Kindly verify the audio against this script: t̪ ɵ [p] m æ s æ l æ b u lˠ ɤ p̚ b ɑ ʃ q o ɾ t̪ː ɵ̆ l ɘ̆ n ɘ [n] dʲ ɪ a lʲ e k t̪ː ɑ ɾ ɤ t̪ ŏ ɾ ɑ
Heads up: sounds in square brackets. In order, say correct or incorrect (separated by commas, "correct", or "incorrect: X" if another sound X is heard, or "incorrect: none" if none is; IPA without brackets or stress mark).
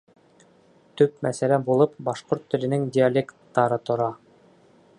correct, incorrect: ŋ